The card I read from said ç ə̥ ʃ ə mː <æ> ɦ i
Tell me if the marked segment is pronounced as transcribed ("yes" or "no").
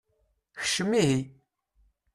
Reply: no